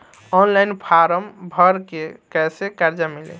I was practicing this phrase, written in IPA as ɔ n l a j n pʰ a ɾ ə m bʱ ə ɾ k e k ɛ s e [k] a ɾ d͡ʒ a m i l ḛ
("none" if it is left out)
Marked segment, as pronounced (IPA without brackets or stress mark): k